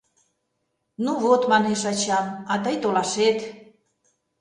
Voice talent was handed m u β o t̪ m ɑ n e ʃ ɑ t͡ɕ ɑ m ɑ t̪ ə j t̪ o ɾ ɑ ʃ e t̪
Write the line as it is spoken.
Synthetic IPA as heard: n u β o t̪ m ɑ n e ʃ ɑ t͡ɕ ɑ m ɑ t̪ ə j t̪ o l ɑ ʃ e t̪